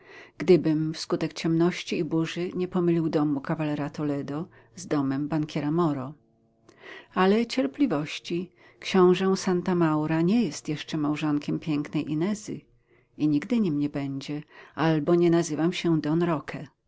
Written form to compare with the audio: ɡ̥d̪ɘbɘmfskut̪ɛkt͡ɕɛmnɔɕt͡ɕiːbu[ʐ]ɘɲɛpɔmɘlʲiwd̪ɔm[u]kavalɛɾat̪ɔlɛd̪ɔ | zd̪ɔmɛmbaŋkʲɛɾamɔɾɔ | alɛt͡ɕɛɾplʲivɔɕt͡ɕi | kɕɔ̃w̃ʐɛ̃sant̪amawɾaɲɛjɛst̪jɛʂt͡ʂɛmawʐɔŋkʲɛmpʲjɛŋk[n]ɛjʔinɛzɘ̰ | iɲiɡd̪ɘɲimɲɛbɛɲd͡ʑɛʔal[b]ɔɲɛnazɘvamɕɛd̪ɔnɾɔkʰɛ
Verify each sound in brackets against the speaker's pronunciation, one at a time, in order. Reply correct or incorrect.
correct, correct, correct, correct

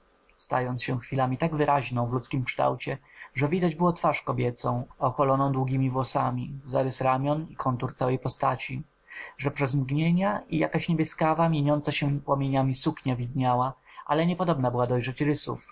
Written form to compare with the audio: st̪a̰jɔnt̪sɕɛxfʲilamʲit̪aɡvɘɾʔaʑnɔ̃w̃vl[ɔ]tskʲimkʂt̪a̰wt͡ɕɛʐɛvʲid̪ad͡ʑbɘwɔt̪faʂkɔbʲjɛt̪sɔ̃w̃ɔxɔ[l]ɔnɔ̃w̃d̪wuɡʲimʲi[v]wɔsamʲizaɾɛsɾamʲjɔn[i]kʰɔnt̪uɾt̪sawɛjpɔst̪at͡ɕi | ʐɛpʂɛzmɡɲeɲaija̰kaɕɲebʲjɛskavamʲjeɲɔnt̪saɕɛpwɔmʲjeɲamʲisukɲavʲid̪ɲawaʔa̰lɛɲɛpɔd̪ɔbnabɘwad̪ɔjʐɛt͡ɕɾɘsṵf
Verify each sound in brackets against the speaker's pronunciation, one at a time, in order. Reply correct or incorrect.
incorrect, correct, correct, correct

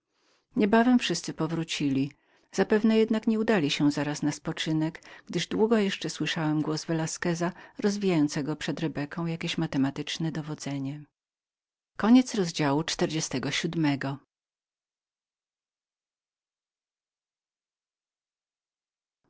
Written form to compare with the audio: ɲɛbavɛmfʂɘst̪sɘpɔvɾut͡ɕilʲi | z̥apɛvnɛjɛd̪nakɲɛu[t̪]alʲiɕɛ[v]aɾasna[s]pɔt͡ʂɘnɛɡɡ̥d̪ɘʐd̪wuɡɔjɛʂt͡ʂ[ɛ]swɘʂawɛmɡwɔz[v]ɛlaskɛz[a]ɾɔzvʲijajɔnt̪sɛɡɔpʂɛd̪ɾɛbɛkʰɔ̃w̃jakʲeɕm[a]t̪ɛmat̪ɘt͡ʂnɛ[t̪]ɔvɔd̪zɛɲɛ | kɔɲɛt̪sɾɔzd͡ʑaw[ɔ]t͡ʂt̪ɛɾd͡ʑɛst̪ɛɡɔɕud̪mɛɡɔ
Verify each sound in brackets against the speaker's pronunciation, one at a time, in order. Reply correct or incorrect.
incorrect, incorrect, correct, correct, correct, correct, correct, incorrect, incorrect

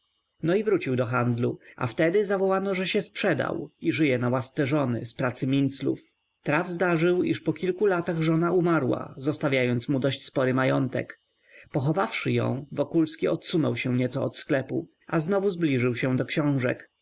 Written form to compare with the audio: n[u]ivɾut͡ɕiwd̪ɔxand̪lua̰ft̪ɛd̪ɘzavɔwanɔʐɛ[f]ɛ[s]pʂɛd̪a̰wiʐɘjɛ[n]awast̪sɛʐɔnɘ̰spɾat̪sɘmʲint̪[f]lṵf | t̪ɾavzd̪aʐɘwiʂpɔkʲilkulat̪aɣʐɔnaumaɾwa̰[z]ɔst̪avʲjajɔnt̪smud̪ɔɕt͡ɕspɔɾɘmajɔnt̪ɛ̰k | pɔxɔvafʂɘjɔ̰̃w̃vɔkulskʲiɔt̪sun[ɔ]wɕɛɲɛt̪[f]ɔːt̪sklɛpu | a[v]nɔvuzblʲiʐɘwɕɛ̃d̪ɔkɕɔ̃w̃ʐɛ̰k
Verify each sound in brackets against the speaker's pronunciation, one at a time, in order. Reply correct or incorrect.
incorrect, incorrect, correct, correct, incorrect, correct, correct, incorrect, incorrect

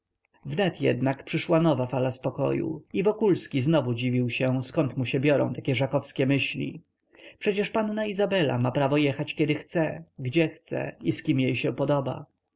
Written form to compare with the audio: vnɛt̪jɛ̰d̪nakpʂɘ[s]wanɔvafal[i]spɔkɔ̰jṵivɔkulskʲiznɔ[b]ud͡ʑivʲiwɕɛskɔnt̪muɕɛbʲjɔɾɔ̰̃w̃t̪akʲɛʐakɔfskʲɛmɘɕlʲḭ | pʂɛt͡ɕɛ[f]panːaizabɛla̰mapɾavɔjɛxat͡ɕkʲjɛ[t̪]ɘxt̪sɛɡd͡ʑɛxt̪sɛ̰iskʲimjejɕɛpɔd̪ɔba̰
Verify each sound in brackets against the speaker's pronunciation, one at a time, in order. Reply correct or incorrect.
incorrect, incorrect, incorrect, incorrect, incorrect

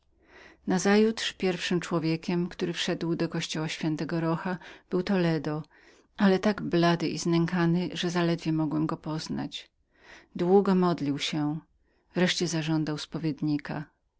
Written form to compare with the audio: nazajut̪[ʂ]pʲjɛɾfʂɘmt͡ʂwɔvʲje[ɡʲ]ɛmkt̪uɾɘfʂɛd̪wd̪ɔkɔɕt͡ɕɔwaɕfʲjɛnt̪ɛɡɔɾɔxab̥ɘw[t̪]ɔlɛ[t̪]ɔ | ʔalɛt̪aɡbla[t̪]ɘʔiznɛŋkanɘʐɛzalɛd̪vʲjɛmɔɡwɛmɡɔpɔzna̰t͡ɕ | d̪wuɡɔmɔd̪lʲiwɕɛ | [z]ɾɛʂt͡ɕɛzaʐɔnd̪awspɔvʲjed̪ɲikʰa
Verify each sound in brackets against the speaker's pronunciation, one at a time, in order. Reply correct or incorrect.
correct, incorrect, correct, incorrect, incorrect, incorrect

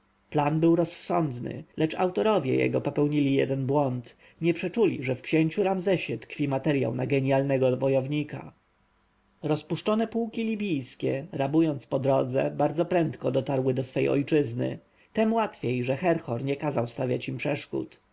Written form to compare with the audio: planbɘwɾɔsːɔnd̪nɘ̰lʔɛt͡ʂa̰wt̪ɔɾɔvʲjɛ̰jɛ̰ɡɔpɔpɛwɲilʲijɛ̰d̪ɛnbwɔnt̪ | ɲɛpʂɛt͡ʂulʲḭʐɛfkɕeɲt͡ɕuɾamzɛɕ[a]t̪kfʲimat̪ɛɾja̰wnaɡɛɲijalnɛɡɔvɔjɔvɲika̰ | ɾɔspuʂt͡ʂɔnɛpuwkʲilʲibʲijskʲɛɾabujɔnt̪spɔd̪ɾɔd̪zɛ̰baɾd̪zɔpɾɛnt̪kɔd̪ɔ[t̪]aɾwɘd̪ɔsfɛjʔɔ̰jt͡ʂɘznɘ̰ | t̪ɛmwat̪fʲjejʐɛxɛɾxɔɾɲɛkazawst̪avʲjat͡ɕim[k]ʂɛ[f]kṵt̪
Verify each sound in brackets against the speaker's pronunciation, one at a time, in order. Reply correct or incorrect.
incorrect, correct, incorrect, incorrect

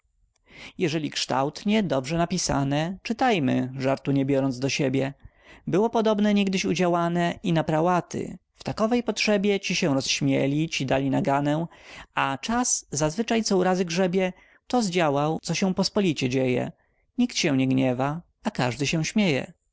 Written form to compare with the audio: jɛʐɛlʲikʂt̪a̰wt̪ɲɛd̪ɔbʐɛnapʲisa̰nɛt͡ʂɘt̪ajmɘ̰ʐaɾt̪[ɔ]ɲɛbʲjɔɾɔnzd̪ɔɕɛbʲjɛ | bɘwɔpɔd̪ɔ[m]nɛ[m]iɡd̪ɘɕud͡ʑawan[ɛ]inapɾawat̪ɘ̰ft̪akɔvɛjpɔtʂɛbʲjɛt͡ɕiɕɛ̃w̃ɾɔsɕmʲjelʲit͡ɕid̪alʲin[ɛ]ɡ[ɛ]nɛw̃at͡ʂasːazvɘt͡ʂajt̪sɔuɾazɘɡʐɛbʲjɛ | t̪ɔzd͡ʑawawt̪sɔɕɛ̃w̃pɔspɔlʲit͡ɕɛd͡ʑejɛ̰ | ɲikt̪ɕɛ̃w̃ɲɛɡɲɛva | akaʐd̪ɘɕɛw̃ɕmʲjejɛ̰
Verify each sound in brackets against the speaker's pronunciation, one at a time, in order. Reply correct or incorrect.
incorrect, incorrect, incorrect, correct, incorrect, incorrect

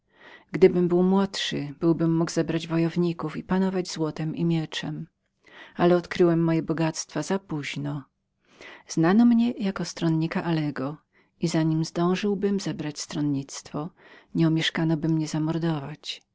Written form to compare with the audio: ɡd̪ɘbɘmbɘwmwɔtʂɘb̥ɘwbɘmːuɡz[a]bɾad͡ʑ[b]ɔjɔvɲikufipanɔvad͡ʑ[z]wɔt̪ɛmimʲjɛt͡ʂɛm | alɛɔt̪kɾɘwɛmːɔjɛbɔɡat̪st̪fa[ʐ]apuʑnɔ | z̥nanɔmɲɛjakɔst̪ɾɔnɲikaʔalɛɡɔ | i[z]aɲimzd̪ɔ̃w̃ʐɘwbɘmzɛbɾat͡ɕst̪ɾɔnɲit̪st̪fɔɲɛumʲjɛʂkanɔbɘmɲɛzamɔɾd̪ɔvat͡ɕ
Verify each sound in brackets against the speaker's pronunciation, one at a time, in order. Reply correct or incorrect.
incorrect, incorrect, correct, incorrect, correct

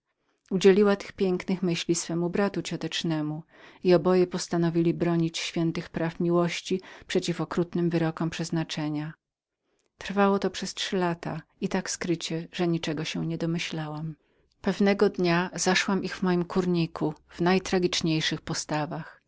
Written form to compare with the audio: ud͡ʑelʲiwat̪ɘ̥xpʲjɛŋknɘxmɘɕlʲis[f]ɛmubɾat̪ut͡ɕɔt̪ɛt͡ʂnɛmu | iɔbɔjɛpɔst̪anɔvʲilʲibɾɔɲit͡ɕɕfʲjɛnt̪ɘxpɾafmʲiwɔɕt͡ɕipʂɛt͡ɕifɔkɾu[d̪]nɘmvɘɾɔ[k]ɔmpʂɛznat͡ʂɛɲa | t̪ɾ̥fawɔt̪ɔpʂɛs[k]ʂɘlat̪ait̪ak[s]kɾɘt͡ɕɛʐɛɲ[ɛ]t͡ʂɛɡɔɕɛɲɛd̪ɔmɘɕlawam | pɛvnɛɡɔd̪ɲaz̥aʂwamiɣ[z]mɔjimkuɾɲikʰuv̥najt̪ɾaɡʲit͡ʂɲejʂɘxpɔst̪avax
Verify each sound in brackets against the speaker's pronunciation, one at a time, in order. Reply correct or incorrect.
correct, incorrect, correct, incorrect, correct, incorrect, incorrect

